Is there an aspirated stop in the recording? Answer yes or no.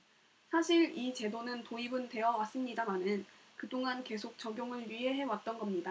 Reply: no